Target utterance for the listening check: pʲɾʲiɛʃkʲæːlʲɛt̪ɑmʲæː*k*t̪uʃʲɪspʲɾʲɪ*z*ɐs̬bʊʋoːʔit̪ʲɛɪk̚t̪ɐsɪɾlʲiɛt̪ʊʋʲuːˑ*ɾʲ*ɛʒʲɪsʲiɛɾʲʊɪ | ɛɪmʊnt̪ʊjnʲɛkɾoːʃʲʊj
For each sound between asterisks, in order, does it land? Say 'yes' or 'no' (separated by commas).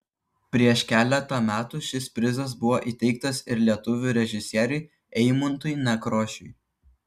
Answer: no, yes, yes